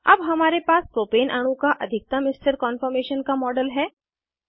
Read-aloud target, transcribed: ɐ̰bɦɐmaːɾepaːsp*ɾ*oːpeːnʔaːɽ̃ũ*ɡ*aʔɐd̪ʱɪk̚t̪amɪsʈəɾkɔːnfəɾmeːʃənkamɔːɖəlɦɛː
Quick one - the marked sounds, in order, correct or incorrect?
correct, incorrect: k

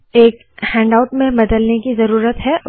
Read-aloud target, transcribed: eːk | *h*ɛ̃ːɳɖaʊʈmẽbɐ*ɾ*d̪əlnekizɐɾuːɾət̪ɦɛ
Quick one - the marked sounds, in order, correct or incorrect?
correct, incorrect: none

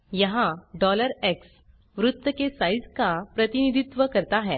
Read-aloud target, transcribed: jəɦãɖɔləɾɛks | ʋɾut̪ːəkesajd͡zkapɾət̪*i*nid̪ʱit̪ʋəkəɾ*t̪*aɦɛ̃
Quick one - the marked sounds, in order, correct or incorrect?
correct, correct

